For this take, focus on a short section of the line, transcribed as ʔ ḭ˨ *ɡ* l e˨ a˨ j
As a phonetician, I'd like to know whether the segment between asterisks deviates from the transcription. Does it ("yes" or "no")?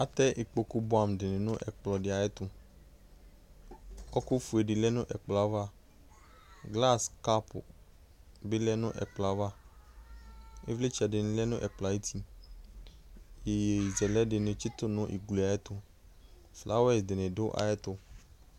no